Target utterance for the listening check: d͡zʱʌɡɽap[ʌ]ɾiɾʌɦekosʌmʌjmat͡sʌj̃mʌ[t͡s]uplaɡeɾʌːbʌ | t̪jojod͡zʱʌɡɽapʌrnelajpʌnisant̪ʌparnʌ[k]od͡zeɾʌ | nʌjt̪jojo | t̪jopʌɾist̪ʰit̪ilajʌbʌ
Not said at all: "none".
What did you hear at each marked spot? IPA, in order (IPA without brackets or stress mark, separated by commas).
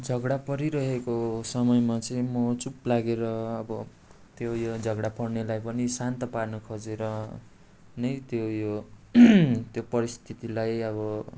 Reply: ʌ, t͡s, kʰ